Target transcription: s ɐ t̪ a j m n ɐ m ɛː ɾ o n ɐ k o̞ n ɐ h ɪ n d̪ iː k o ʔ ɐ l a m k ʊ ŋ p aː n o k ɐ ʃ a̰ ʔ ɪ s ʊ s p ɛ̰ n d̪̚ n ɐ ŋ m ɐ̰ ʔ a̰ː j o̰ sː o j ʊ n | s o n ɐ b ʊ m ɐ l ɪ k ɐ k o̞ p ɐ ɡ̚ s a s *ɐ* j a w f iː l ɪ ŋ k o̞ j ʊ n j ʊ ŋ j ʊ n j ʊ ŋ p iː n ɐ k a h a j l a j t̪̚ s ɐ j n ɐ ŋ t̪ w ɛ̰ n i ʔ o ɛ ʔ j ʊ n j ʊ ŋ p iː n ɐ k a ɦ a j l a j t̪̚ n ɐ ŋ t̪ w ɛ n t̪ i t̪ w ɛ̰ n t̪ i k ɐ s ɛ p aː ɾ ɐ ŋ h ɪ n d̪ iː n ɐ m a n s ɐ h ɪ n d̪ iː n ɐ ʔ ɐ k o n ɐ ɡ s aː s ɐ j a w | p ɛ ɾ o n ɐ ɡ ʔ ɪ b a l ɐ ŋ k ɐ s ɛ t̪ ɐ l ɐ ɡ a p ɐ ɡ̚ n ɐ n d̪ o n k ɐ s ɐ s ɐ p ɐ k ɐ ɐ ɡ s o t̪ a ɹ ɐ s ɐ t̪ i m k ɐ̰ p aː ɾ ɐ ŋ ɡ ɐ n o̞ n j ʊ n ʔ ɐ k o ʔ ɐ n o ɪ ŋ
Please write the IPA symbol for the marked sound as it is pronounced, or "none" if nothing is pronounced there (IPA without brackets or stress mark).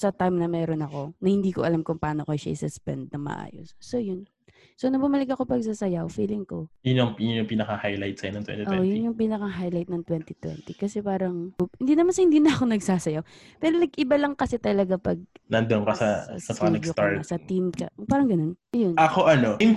ɐ